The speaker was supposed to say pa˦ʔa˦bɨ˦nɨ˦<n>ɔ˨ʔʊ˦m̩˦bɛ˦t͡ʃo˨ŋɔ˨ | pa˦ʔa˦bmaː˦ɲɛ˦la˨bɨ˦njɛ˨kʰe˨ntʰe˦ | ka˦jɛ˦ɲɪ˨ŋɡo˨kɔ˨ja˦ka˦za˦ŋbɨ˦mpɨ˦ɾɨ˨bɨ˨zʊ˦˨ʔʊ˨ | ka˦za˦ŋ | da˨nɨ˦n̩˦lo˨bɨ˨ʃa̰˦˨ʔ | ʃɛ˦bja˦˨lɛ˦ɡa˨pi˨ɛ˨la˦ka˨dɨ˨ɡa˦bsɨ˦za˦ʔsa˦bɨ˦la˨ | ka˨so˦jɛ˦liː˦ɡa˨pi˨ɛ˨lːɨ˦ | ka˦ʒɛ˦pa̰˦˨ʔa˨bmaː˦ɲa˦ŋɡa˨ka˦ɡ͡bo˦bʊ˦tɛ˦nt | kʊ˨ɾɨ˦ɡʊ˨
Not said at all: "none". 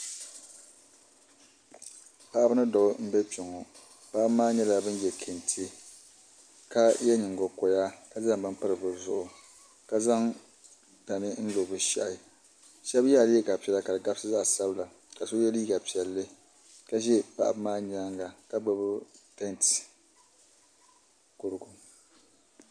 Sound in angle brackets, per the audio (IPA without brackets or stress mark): d